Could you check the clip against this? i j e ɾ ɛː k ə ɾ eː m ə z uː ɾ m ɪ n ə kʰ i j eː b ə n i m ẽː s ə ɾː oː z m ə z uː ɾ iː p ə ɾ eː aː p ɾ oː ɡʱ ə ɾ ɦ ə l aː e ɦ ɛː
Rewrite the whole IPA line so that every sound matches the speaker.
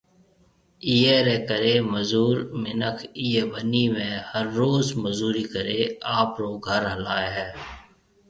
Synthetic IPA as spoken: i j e ɾ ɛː k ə ɾ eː m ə z uː ɾ m ɪ n ə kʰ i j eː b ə n i m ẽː h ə ɾː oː z m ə z uː ɾ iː k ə ɾ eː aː p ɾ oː ɡʱ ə ɾ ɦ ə l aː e ɦ ɛː